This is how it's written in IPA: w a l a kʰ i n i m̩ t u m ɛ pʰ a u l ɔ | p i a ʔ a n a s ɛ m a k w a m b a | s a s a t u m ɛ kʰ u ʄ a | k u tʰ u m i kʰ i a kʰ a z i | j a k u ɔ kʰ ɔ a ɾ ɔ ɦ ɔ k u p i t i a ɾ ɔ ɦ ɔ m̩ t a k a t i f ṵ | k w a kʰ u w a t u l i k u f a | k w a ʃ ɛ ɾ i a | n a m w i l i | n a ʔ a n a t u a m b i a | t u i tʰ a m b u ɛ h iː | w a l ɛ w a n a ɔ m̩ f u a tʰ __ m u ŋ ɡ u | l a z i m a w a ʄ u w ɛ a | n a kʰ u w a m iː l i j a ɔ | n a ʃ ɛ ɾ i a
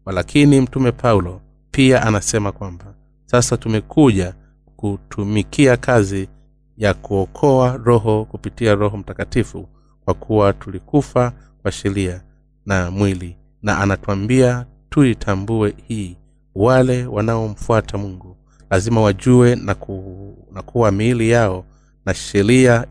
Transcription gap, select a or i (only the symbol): a